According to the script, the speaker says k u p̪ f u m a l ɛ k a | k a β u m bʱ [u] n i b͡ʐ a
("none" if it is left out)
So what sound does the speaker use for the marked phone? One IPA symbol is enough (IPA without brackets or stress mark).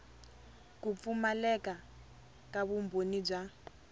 o